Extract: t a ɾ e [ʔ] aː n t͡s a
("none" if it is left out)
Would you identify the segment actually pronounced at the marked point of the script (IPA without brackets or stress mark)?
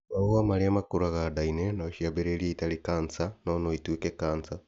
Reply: k